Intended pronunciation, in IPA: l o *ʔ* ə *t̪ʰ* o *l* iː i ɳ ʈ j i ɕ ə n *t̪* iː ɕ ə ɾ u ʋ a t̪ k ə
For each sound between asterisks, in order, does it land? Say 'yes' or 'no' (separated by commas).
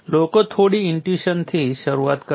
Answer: no, yes, no, no